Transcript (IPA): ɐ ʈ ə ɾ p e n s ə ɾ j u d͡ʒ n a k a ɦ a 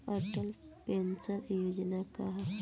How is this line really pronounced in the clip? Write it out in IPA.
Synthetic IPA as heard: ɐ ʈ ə l p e n s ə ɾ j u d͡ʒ n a k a ɦ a

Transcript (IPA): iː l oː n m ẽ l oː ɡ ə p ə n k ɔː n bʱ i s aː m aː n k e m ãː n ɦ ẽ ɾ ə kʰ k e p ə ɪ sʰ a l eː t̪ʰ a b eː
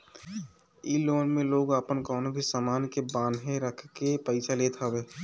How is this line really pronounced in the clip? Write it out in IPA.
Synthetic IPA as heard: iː l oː n m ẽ l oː ɡ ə p ə n k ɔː n bʱ i s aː m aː n k e b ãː n ɦ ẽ ɾ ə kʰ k e p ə ɪ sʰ a l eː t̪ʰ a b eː

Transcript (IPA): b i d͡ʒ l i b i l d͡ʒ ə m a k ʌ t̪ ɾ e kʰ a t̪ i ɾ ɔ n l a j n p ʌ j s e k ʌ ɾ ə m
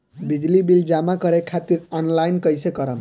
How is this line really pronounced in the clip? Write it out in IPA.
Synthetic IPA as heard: b i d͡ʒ l i b i l d͡ʒ a m a k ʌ ɾ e kʰ a t̪ i ɾ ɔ n l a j n k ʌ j s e k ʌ ɾ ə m

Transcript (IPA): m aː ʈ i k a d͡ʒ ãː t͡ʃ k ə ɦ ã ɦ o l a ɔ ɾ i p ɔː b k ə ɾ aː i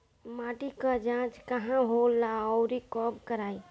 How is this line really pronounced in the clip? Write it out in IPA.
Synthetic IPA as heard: m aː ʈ i k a d͡ʒ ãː t͡ʃ k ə ɦ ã ɦ o l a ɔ ɾ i k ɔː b k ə ɾ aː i

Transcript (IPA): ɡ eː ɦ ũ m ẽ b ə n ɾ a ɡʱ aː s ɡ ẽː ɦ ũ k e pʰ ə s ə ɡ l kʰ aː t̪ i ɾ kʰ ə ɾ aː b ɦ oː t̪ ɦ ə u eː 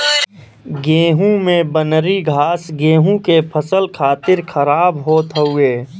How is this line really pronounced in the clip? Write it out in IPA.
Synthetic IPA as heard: ɡ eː ɦ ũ m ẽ b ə n ɾ i ɡʱ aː s ɡ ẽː ɦ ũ k e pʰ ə s ə l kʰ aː t̪ ɪ ɾ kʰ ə ɾ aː b ɦ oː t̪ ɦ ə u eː

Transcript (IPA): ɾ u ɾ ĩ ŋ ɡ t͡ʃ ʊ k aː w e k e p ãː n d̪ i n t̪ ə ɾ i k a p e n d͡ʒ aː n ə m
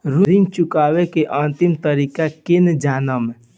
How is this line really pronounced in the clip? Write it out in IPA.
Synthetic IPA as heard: ɾ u ɾ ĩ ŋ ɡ t͡ʃ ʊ k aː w e k e ʔ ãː n t̪ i m t̪ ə ɾ i k a k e n d͡ʒ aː n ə m

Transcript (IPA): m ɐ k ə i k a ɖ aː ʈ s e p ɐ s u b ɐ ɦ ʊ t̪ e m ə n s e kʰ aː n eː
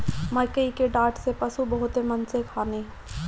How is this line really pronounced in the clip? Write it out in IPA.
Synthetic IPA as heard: m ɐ k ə i k e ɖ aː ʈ s e p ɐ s u b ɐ ɦ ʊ t̪ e m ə n s e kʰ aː n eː

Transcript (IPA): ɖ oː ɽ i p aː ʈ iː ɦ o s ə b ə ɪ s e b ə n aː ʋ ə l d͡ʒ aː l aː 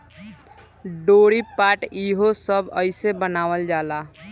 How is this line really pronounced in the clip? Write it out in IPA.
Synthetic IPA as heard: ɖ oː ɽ i p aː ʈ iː ɦ o s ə b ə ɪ s e b ə n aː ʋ ə l d͡ʒ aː l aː

